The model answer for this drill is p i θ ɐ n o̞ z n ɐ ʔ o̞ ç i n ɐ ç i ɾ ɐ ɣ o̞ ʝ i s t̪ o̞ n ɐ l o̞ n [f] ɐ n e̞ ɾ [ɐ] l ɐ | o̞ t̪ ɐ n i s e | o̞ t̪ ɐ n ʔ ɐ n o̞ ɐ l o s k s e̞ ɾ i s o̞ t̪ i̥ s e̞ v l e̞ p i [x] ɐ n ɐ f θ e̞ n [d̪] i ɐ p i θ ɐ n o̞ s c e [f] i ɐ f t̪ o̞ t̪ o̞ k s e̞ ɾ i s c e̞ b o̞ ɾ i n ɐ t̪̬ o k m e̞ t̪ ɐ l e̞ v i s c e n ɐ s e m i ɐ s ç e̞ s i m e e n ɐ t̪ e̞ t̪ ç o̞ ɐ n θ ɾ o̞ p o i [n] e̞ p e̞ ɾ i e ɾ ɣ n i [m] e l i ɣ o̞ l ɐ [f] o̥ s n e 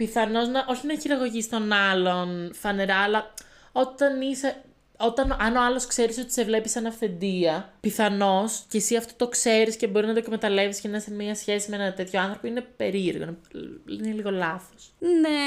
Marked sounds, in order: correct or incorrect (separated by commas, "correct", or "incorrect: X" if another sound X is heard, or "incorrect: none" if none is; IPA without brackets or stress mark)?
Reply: correct, incorrect: ɐː, incorrect: s, correct, incorrect: s, correct, incorrect: n, incorrect: θ